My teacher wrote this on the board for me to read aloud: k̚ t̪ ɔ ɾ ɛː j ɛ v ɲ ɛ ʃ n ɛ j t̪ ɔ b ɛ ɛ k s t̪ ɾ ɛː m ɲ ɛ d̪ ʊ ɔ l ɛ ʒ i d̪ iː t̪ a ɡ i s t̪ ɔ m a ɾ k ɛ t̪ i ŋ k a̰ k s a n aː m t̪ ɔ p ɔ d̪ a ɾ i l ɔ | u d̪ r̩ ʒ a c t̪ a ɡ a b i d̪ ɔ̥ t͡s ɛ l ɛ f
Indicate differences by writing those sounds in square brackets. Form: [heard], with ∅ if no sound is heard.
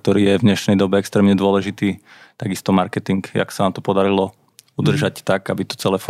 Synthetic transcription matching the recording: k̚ t̪ ɔ ɾ [iː] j ɛ v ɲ ɛ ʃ n ɛ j [d̪] ɔ b ɛ ɛ k s t̪ ɾ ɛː m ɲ ɛ d̪ ʊ ɔ l ɛ ʒ i [t̪] iː t̪ a ɡ i s t̪ ɔ m a ɾ k ɛ t̪ i ŋ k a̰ k s a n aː m t̪ ɔ p ɔ d̪ a ɾ i l ɔ | u d̪ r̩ ʒ a c t̪ a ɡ a b i [t̪] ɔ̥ t͡s ɛ l ɛ f